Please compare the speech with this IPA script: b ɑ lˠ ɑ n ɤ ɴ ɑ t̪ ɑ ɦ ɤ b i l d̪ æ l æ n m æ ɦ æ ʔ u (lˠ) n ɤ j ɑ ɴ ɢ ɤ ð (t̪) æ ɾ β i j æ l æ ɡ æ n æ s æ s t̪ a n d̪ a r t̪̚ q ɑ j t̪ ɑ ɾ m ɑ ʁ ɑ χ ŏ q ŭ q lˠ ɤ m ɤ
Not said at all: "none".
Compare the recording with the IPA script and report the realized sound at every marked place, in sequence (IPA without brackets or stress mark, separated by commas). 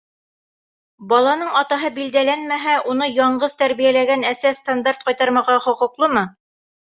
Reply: none, t̪